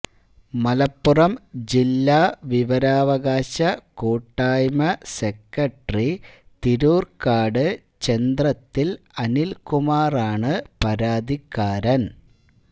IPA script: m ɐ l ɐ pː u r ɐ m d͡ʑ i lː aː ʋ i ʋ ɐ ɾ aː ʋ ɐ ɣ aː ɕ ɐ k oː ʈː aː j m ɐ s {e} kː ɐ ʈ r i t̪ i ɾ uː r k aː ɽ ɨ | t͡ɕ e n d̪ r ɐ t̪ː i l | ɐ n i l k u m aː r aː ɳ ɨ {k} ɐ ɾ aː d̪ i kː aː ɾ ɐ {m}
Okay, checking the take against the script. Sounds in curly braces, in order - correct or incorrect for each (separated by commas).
correct, incorrect, incorrect